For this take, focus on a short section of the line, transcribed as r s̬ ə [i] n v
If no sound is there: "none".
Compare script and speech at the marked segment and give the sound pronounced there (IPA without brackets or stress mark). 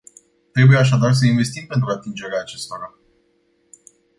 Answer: i